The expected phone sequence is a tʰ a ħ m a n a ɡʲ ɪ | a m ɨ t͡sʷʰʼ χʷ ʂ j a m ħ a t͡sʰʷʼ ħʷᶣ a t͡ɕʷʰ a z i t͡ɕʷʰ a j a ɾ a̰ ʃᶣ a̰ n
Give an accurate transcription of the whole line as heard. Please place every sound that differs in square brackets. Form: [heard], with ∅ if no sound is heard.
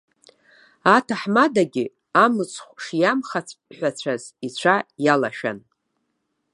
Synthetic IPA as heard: a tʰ a ħ m a [d] a ɡʲ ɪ | a m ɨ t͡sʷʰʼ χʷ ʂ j a m [χ] a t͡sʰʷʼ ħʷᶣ a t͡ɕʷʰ a z i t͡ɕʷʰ a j a [l] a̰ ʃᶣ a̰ n

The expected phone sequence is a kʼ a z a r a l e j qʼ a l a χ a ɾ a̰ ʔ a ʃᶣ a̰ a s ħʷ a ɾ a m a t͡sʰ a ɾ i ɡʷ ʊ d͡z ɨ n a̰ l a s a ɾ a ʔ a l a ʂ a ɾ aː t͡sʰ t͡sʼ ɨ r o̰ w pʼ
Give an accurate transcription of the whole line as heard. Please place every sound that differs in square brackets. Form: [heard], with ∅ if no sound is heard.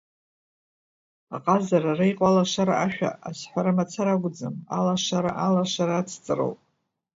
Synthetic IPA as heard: a [qʼ] a z a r a [r] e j qʼ a l a [ʂ] a ɾ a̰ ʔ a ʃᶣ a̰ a s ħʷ a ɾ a m a t͡sʰ a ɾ [a] ɡʷ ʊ d͡z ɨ [m] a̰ l a [ʂ] a ɾ a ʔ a l a ʂ a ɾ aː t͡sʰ t͡sʼ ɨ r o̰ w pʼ

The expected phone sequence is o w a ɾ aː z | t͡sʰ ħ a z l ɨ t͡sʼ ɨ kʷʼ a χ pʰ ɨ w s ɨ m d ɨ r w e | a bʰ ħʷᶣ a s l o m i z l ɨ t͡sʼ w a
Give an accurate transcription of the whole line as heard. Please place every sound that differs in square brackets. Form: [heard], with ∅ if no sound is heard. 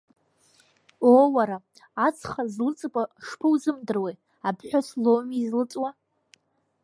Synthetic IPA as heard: o w a ɾ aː [∅] | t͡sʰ [χ] a z l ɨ t͡sʼ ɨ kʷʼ a [ʂ] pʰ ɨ w [z] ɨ m d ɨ r w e | a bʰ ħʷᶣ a s l o m i z l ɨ t͡sʼ w a

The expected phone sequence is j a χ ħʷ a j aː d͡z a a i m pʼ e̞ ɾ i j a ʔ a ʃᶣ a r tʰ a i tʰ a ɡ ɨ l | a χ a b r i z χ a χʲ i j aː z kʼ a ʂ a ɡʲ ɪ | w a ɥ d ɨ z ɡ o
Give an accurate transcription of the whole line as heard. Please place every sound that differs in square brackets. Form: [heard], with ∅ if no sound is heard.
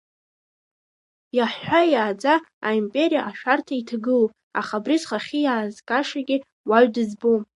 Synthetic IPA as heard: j a [ħ] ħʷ a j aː d͡z a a i m pʼ e̞ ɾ i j a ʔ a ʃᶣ a r tʰ a i tʰ a ɡ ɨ l | a χ a b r i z χ a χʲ i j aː z kʼ a ʂ a ɡʲ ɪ | w a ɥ d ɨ z [b] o

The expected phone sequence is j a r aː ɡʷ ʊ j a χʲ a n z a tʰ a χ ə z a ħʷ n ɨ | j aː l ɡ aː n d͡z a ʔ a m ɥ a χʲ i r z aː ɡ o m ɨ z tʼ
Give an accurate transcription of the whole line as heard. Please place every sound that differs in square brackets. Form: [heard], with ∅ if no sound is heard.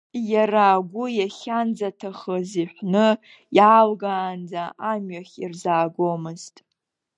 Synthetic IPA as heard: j a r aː ɡʷ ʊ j a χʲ a n [d͡z] a tʰ a χ ə z [i] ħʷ n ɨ | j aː l ɡ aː n d͡z a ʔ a m ɥ a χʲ i r z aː ɡ o m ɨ z tʼ

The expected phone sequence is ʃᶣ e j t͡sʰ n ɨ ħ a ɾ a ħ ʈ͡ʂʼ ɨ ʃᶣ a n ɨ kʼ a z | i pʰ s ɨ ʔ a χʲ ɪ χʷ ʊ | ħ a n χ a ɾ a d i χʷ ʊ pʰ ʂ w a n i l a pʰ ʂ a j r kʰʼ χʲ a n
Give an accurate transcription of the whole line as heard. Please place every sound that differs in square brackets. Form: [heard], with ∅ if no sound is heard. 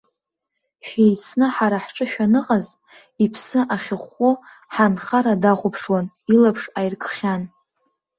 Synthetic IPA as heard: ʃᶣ e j t͡sʰ n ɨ ħ a ɾ a ħ ʈ͡ʂʼ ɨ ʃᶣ a n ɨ [qʼ] a z | i pʰ s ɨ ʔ a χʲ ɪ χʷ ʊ | ħ a n χ a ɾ a d [a] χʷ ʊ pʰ ʂ w a n i l a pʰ ʂ a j r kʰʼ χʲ a n

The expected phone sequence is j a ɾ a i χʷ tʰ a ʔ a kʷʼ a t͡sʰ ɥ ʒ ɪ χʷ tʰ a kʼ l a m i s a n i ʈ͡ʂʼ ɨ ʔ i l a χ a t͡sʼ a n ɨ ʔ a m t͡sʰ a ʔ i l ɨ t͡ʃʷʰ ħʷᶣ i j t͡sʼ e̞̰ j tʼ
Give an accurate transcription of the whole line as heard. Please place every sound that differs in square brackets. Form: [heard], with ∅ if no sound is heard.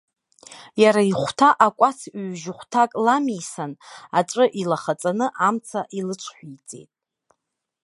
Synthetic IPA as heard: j a ɾ a i χʷ tʰ a ʔ a kʷʼ a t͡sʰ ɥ ʒ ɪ χʷ tʰ a kʼ l a m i s a n [a] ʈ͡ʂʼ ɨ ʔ i l a χ a t͡sʼ a n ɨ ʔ a m t͡sʰ a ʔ i l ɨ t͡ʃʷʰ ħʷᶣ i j t͡sʼ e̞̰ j tʼ

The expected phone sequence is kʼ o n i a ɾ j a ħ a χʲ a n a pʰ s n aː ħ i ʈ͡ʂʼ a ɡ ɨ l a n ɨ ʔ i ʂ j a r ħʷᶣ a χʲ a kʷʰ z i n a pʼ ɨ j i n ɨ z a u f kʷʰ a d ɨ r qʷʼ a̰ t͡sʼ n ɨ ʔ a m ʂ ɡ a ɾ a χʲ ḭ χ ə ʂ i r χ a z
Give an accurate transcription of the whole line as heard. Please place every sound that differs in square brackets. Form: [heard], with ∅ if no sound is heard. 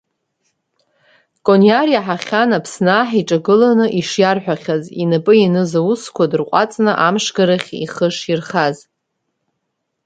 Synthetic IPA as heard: kʼ o n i a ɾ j a ħ a χʲ a n a pʰ s n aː ħ i ʈ͡ʂʼ a ɡ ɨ l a n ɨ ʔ i ʂ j a r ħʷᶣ a χʲ a [∅] z i n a pʼ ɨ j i n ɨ z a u [s] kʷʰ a d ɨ r qʷʼ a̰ t͡sʼ n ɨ ʔ a m ʂ ɡ a ɾ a χʲ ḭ χ ə ʂ i r χ a z

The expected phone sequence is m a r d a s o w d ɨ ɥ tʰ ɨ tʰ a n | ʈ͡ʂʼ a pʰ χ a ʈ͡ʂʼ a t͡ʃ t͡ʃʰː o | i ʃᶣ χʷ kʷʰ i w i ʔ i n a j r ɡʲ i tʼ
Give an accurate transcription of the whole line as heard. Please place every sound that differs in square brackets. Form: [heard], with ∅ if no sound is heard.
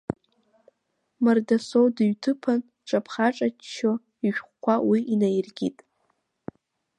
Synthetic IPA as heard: m a r d a s o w d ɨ ɥ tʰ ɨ [pʰ] a n | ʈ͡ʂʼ a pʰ χ a ʈ͡ʂʼ a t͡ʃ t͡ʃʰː o | i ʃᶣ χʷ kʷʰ [a] w i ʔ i n a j r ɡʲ i tʼ

